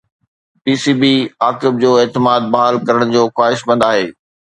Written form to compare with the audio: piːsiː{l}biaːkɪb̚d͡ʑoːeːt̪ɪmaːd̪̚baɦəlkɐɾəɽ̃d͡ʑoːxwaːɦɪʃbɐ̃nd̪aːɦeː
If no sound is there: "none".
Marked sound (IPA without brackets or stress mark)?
none